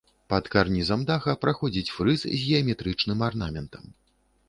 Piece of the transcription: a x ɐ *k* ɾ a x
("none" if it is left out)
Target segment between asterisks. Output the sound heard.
p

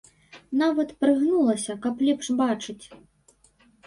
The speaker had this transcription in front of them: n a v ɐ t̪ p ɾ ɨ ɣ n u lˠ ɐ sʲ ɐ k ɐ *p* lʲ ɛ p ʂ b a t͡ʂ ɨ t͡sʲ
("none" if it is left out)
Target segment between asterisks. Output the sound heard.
p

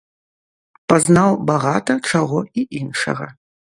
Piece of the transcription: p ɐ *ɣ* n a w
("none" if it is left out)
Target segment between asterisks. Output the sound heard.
z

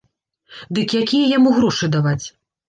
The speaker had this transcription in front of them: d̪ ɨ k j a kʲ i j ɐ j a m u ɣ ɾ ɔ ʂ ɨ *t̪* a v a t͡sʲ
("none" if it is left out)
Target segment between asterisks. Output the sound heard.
d̪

